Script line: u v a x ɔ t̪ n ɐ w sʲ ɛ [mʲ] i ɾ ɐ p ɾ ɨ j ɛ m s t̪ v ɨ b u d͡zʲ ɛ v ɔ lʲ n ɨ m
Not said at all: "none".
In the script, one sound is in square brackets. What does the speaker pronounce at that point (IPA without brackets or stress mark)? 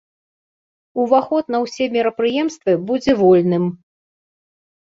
mʲ